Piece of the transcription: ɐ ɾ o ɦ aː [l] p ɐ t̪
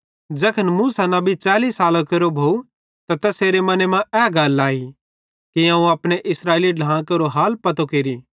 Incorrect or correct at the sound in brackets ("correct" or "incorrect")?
correct